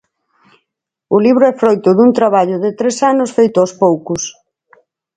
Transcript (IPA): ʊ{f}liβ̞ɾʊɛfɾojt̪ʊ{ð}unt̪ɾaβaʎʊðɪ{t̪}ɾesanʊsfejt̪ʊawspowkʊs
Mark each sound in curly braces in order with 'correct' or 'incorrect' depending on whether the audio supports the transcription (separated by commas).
incorrect, correct, correct